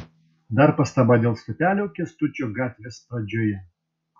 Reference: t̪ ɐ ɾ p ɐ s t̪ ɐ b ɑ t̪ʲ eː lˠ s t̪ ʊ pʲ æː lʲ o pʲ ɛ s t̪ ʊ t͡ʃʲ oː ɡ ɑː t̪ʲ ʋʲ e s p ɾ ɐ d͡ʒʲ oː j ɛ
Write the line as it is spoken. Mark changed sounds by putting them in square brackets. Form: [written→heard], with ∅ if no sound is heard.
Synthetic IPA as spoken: [t̪→d̪] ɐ ɾ p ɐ s t̪ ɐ b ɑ [t̪ʲ→d̪ʲ] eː lˠ s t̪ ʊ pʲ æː lʲ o [pʲ→kʲ] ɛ s t̪ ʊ t͡ʃʲ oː ɡ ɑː t̪ʲ ʋʲ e s p ɾ ɐ d͡ʒʲ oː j ɛ